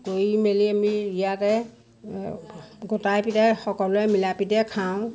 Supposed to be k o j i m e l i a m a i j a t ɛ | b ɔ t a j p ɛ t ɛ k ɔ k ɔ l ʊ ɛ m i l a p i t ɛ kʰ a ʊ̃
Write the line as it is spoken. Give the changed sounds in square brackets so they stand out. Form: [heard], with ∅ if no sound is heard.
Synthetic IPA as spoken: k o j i m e l i a m [i] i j a t ɛ | [ɡ] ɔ t a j p [i] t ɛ [x] ɔ k ɔ l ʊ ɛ m i l a p i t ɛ kʰ a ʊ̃